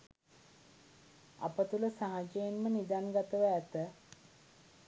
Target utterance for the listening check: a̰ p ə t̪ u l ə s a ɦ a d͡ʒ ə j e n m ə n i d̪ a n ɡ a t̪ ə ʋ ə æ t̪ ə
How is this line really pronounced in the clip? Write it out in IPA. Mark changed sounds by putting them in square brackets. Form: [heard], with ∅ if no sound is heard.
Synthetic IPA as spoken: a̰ p ə t̪ u l ə s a ɦ a d͡ʒ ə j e n m ə n i d̪ a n ɡ a t̪ ə ʋ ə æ t̪ ə